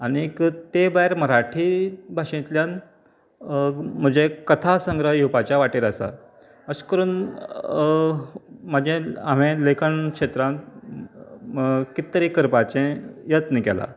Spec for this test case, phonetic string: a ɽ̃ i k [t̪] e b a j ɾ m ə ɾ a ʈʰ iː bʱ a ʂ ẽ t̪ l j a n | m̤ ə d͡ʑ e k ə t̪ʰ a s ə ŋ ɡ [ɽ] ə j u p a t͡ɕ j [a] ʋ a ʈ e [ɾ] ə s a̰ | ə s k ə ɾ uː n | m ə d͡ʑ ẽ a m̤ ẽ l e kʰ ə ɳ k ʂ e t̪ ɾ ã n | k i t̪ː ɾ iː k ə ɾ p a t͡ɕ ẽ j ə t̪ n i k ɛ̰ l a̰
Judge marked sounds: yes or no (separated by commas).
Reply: yes, no, yes, yes